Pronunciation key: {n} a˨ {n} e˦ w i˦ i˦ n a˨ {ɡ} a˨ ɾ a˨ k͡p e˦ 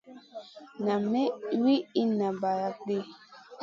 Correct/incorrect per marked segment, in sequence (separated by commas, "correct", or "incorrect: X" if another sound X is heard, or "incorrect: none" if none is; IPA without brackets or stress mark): correct, incorrect: m, incorrect: b